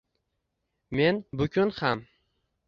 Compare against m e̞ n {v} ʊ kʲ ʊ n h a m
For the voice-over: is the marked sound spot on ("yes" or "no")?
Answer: no